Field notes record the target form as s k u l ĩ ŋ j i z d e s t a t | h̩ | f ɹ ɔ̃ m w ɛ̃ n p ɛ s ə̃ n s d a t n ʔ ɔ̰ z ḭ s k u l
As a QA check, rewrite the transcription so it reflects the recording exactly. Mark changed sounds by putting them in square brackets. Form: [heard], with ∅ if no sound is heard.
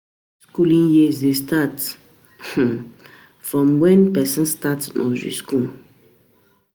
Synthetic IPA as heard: s k u l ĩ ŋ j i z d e s t a t | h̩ | f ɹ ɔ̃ m w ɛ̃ n p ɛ s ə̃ n s [t] a t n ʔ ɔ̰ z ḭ s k u l